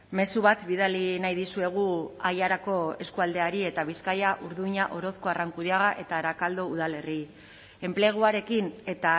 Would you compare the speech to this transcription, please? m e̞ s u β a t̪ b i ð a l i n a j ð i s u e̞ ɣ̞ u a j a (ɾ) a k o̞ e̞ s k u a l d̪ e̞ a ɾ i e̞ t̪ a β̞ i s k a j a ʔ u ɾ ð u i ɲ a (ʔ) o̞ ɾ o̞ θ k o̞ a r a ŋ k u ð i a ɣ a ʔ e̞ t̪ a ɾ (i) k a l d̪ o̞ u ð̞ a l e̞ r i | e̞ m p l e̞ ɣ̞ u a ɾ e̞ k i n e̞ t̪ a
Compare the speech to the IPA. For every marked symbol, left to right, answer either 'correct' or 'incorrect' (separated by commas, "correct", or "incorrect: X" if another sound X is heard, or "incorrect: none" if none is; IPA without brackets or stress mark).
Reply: correct, correct, incorrect: a